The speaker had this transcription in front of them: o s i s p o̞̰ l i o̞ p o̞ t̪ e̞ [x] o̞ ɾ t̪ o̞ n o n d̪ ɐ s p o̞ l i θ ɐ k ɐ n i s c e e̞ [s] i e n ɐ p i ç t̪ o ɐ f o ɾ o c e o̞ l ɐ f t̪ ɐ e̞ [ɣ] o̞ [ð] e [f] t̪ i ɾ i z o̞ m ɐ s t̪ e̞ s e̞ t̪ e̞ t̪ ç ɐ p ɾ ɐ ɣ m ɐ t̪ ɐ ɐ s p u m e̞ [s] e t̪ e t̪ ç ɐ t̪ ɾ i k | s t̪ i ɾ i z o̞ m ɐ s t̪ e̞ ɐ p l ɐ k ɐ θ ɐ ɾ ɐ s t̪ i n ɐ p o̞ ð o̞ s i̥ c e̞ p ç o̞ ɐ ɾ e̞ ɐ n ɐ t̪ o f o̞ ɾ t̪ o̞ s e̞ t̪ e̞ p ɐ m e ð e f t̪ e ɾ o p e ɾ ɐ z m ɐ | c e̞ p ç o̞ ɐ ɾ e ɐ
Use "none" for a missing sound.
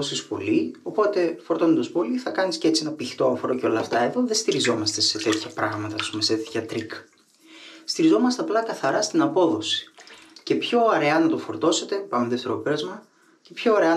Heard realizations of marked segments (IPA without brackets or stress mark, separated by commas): f, t͡s, ð, ð, s, s